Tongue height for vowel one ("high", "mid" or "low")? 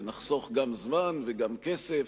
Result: low